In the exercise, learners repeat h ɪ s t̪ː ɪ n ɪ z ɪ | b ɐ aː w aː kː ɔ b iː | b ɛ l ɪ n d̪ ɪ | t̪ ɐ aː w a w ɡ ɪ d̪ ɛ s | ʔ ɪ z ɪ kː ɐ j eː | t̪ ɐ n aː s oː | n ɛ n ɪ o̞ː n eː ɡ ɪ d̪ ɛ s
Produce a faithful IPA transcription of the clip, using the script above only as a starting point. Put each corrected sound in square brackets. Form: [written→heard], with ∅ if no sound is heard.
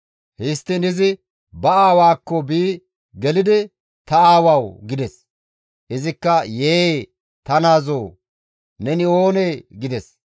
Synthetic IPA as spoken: h ɪ s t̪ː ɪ n ɪ z ɪ | b ɐ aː w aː kː ɔ b iː | [b→ɡ] ɛ l ɪ [n→∅] d̪ ɪ | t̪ ɐ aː w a w ɡ ɪ d̪ ɛ s | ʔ ɪ z ɪ kː ɐ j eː | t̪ ɐ n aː [s→z] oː | n ɛ n ɪ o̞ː n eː ɡ ɪ d̪ ɛ s

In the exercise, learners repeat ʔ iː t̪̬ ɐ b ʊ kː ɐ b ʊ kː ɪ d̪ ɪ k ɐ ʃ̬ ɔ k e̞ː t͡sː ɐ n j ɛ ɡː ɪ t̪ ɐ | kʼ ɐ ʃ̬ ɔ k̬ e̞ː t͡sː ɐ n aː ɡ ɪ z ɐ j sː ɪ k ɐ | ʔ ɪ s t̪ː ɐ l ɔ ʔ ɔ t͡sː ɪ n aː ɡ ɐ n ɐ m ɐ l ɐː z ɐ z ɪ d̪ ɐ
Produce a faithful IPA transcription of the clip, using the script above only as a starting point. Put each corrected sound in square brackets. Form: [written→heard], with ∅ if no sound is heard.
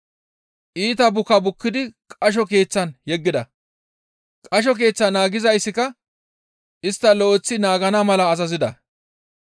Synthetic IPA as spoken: ʔ iː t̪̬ ɐ b ʊ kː ɐ b ʊ kː ɪ d̪ ɪ [k→kʼ] ɐ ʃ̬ ɔ k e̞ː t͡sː ɐ n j ɛ ɡː ɪ [t̪→d̪] ɐ | kʼ ɐ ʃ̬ ɔ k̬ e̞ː t͡sː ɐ n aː ɡ ɪ z ɐ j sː ɪ k ɐ | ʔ ɪ s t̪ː ɐ l ɔ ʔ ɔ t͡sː ɪ n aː ɡ ɐ n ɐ m ɐ l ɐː z ɐ z ɪ d̪ ɐ

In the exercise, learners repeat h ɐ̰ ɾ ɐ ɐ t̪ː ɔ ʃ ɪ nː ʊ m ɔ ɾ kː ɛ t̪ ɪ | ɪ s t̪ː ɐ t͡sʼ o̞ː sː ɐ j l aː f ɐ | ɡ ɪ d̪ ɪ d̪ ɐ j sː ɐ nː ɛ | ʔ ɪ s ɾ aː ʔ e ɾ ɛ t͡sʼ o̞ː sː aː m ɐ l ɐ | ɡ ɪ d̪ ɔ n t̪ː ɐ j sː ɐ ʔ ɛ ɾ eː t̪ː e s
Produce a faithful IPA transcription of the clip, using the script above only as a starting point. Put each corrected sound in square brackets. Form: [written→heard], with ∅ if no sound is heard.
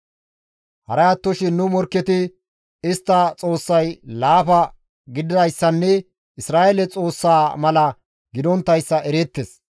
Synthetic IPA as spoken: h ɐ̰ ɾ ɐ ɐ t̪ː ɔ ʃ ɪ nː ʊ m ɔ ɾ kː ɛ t̪ ɪ | ɪ s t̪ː ɐ t͡sʼ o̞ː sː ɐ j l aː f ɐ | ɡ ɪ d̪ ɪ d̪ ɐ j sː ɐ nː ɛ | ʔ ɪ s ɾ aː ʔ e [ɾ→l] ɛ t͡sʼ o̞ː sː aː m ɐ l ɐ | ɡ ɪ d̪ ɔ n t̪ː ɐ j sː ɐ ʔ ɛ ɾ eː t̪ː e s

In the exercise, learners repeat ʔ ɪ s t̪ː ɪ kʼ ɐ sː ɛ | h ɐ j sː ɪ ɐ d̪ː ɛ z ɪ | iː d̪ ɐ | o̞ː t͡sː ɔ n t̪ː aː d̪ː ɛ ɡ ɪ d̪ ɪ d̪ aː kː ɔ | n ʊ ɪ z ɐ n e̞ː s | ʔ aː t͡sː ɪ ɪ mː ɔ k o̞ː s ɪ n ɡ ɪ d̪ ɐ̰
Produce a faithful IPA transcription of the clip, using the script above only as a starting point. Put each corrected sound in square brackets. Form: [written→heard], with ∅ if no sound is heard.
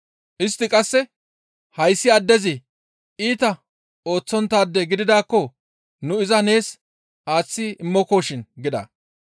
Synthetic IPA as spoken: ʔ ɪ s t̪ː ɪ kʼ ɐ sː ɛ | h ɐ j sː ɪ ɐ d̪ː ɛ z ɪ | iː [d̪→t̪] ɐ | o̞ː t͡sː ɔ n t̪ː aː d̪ː ɛ ɡ ɪ d̪ ɪ d̪ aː kː ɔ | n ʊ ɪ z ɐ n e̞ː s | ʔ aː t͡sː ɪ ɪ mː ɔ k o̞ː [s→ʃ] ɪ n ɡ ɪ d̪ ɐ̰

